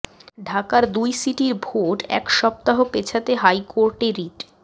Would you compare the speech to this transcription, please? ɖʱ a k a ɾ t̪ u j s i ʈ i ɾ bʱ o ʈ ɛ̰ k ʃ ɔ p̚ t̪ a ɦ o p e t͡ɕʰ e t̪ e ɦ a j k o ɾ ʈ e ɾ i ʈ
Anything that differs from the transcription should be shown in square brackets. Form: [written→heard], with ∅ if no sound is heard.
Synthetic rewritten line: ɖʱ a k a ɾ [t̪→d̪] u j s i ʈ i ɾ bʱ o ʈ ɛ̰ k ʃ ɔ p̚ t̪ a ɦ o p e t͡ɕʰ [e→a] t̪ e ɦ a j k o ɾ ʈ e ɾ i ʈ

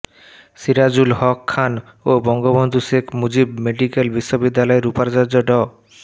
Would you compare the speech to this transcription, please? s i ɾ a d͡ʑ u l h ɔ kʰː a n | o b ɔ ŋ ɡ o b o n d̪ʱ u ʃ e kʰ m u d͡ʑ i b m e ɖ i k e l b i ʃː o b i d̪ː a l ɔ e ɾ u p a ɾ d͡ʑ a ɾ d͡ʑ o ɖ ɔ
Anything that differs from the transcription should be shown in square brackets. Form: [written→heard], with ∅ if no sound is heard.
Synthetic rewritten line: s i ɾ a d͡ʑ u l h ɔ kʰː a n | o b ɔ ŋ ɡ o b o n d̪ʱ u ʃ e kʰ m u d͡ʑ i b m e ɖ i k e l b i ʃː o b i d̪ː a l ɔ e ɾ u p a ɾ d͡ʑ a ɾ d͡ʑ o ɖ ɔ

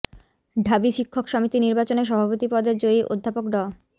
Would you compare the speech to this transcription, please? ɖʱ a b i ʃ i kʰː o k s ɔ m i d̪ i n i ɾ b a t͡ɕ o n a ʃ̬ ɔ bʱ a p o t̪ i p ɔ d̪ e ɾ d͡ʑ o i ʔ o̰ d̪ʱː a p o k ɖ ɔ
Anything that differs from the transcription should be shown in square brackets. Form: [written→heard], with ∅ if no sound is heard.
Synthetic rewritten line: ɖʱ a b i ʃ i kʰː o k [s→ʃ] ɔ m i [d̪→t̪] i n i ɾ b a t͡ɕ o n [a→e] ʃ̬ ɔ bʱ a p o t̪ i p ɔ d̪ e ɾ d͡ʑ o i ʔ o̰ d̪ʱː a p o k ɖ ɔ

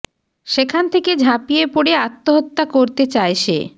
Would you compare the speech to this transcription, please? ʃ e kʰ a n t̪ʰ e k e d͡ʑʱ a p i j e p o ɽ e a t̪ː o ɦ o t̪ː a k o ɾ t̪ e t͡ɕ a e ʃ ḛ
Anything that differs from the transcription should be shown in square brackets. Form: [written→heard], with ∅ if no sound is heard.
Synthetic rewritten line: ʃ e kʰ a n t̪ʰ e k e d͡ʑʱ a p i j e p o ɽ e a t̪ː o ɦ o t̪ː a k o ɾ t̪ e t͡ɕ a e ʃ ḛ

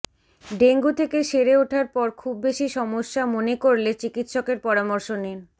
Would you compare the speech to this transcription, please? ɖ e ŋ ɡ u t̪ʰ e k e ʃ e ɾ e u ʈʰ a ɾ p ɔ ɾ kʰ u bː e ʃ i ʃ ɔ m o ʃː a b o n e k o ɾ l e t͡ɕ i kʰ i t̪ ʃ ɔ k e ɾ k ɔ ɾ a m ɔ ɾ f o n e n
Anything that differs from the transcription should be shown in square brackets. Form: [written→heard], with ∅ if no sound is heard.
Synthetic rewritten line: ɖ e ŋ ɡ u t̪ʰ e k e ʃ e ɾ e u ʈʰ a ɾ p ɔ ɾ kʰ u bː e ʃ i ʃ ɔ m o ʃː a [b→m] o n e k o ɾ l e t͡ɕ i [kʰ→k] i t̪ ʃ ɔ k e ɾ [k→p] ɔ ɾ a m ɔ ɾ [f→ʃ] o n e n

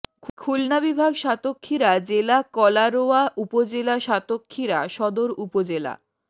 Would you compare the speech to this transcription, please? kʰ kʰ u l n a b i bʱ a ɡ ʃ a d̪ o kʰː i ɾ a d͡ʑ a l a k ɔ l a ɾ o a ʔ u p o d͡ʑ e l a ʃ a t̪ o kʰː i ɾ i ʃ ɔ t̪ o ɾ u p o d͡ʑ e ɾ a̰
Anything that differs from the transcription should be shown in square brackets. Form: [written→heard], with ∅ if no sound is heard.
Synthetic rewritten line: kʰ kʰ u l n a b i bʱ a ɡ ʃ a [d̪→t̪] o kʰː i ɾ a d͡ʑ [a→e] l a k ɔ l a ɾ o a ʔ u p o d͡ʑ e l a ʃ a t̪ o kʰː i ɾ [i→a] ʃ ɔ [t̪→d̪] o ɾ u p o d͡ʑ e [ɾ→l] a̰

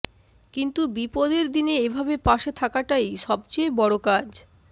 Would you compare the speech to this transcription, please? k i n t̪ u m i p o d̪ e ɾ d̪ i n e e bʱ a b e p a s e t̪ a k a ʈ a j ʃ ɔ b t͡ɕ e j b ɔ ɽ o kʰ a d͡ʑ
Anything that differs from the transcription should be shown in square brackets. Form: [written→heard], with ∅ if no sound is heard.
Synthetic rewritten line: k i n t̪ u [m→b] i p o d̪ e ɾ d̪ i n e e bʱ a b e p a [s→ʃ] e [t̪→t̪ʰ] a k a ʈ a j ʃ ɔ b t͡ɕ e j b ɔ ɽ o [kʰ→k] a d͡ʑ

